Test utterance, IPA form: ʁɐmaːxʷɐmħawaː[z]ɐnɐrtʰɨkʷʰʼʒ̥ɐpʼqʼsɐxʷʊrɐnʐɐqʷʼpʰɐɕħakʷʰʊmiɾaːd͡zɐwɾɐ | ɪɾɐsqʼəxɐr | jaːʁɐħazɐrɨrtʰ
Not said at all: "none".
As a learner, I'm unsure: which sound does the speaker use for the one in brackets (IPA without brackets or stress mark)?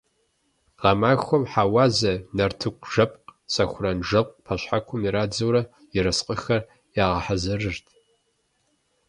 z